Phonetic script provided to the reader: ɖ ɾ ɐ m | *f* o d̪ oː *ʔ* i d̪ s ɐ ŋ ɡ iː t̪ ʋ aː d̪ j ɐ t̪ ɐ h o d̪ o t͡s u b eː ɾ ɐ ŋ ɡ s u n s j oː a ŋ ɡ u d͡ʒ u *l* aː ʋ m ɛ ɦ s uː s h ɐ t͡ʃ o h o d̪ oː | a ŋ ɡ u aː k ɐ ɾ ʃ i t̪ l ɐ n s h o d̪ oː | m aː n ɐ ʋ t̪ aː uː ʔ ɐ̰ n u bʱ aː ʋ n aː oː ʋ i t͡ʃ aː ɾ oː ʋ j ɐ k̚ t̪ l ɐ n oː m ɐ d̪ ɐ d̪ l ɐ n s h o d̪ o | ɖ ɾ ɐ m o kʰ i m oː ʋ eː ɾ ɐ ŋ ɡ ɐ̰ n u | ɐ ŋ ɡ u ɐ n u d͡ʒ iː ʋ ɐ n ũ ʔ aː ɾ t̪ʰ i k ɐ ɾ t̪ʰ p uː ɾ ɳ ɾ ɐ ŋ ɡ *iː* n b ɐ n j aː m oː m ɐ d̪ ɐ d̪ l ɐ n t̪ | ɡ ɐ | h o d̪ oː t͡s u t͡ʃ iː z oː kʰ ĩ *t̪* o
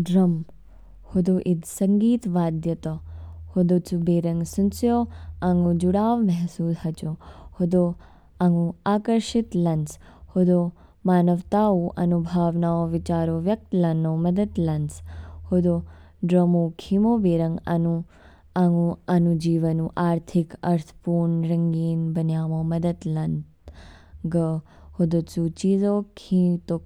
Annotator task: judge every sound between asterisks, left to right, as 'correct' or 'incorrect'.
incorrect, correct, incorrect, correct, correct

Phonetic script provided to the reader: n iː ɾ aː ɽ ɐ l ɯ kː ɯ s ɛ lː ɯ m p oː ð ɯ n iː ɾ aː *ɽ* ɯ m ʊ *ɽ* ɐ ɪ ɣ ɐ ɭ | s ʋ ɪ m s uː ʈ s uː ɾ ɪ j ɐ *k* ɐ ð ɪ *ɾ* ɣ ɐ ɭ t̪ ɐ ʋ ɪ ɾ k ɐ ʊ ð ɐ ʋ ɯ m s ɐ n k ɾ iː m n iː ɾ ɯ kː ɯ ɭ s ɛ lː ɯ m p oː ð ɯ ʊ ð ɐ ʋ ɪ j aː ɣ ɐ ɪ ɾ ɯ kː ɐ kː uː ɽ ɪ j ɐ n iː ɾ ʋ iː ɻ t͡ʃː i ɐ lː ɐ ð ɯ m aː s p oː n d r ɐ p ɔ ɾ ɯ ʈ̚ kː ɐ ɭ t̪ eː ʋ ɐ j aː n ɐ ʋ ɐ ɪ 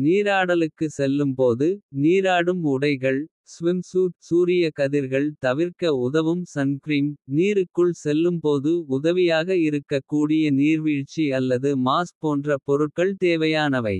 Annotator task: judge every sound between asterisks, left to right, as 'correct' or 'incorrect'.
correct, correct, correct, correct

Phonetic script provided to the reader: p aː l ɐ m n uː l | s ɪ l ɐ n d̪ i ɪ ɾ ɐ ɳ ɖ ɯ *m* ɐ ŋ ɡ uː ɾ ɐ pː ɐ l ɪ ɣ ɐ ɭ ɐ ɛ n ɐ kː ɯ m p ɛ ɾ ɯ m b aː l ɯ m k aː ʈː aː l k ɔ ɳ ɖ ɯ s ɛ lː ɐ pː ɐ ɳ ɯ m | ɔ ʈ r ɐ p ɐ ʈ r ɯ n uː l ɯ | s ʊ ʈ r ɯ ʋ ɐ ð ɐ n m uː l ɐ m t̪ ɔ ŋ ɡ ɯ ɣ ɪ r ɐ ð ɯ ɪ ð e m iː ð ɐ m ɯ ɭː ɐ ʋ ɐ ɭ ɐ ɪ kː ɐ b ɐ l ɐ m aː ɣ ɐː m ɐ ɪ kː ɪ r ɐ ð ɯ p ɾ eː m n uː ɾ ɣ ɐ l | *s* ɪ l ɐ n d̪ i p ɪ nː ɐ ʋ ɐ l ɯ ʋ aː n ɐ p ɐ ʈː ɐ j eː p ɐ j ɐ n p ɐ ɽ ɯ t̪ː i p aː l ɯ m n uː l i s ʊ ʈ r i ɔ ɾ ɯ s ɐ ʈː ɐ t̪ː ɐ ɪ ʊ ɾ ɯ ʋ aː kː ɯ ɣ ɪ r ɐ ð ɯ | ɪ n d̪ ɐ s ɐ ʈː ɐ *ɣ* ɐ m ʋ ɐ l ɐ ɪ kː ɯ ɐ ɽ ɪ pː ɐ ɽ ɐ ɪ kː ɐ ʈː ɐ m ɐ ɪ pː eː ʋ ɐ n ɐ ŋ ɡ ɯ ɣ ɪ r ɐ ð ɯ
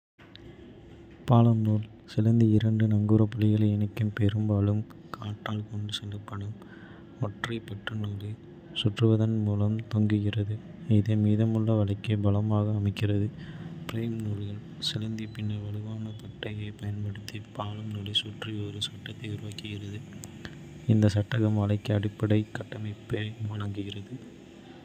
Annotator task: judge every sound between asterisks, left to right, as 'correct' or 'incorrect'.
incorrect, correct, correct

